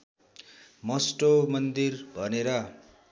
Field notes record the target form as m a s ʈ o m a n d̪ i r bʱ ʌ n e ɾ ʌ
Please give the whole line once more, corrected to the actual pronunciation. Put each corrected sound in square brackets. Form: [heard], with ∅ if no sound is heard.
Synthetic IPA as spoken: m [ʌ] s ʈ o m [ʌ] n d̪ i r bʱ ʌ n e ɾ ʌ